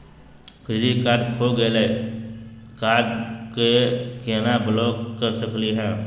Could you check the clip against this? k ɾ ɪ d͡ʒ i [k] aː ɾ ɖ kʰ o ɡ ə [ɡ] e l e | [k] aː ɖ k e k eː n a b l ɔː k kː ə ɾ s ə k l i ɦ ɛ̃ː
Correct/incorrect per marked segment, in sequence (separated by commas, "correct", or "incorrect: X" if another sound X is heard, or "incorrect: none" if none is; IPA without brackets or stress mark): correct, incorrect: none, correct